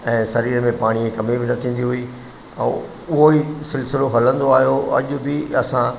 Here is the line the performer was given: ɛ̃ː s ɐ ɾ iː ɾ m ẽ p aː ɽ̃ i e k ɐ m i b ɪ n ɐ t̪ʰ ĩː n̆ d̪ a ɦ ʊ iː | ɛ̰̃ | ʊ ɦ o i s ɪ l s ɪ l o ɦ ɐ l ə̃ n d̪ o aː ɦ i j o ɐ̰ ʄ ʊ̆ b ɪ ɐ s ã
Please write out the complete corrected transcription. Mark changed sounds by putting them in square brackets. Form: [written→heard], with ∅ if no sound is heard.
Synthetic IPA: ɛ̃ː s ɐ ɾ iː ɾ m ẽ p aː ɽ̃ i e k ɐ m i b ɪ n ɐ t̪ʰ ĩː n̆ d̪ [a→i] ɦ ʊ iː | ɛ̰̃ | ʊ ɦ o i s ɪ l s ɪ l o ɦ ɐ l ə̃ n d̪ o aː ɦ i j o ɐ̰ ʄ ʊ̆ b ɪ ɐ s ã